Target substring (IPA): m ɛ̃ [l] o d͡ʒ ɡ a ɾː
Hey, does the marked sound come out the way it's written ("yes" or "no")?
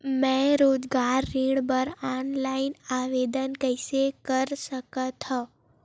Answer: no